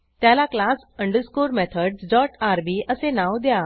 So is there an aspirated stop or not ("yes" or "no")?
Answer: yes